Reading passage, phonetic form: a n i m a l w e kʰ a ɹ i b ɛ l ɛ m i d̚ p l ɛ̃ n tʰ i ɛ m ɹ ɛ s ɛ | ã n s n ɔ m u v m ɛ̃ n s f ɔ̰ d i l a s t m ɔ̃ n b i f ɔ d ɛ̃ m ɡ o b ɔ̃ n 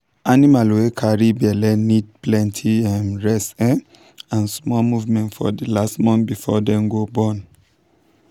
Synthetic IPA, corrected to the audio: a n i m a l w e kʰ a ɹ i b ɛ l ɛ n i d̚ p l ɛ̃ n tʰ i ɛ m ɹ ɛ s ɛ | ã n s m ɔ m u v m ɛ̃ n t f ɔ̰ d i l a s t m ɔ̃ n b i f ɔ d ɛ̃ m ɡ o b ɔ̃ n